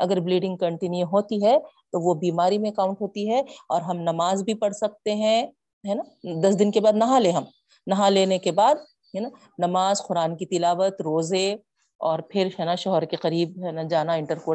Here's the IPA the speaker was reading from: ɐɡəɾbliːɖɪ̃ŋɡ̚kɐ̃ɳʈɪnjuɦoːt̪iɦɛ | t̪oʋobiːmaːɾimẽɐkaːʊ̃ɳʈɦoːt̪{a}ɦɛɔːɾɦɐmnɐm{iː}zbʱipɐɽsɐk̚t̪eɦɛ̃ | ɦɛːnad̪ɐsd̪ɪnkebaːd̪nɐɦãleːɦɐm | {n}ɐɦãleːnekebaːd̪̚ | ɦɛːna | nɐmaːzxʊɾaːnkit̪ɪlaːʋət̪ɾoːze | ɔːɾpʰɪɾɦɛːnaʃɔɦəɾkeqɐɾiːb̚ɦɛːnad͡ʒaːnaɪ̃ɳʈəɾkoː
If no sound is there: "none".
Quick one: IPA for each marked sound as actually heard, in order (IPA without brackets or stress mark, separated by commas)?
i, aː, n